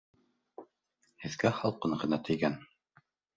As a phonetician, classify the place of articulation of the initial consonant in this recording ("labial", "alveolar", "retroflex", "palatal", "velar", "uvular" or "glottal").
glottal